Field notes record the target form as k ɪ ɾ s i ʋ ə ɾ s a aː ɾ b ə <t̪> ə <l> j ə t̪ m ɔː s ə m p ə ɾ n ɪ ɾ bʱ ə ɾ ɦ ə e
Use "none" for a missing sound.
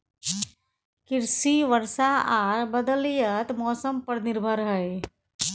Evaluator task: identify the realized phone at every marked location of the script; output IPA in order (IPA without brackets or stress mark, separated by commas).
d̪, l